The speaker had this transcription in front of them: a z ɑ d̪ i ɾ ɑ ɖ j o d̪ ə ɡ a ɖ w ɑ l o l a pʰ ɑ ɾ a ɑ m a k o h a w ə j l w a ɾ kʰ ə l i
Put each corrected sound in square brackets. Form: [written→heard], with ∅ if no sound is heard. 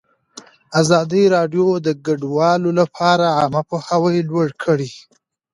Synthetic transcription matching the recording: a z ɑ d̪ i ɾ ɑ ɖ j o d̪ ə ɡ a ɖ w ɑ l o l a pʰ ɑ ɾ a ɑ m a [k→p] o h a w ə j l w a [ɾ→ɽ] kʰ ə [l→ɽ] i